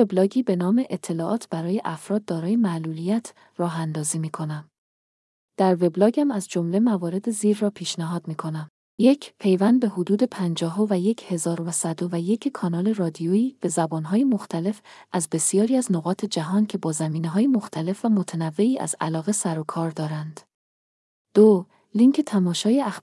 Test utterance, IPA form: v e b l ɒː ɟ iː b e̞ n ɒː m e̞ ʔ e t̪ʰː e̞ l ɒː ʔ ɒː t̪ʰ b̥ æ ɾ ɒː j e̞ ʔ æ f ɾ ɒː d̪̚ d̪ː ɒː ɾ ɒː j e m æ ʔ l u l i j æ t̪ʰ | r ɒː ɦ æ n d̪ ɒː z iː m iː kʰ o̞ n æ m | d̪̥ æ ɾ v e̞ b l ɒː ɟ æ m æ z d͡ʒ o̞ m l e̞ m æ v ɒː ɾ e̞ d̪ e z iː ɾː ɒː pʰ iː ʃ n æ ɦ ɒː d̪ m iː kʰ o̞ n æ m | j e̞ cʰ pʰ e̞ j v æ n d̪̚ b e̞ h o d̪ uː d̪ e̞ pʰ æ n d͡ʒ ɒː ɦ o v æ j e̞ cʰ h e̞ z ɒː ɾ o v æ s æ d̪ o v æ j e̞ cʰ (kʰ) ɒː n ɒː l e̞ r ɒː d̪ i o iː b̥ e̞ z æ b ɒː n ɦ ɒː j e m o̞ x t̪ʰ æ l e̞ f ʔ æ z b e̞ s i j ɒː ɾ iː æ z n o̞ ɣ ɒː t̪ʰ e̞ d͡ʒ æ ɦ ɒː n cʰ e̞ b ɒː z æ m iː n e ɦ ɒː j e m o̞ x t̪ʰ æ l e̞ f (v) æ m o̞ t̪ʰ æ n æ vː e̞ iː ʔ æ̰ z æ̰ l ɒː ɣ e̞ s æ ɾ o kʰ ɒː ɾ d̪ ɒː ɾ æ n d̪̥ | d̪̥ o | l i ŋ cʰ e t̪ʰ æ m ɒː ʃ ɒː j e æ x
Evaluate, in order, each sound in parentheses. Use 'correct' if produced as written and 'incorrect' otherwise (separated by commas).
correct, correct